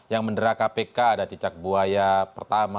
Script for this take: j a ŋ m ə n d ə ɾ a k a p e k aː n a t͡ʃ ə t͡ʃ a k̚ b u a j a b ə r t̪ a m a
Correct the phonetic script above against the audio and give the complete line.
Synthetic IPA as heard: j a ŋ m ə n d ə ɾ a k a p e k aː d a t͡ʃ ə t͡ʃ a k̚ b u a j a p ə r t̪ a m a